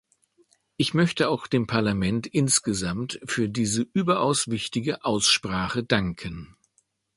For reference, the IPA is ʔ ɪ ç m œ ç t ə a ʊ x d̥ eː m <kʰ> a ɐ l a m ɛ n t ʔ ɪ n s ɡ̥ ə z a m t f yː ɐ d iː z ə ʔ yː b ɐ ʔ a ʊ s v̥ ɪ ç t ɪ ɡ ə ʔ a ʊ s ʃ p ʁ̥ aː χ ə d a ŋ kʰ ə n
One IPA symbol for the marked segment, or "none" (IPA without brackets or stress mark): pʰ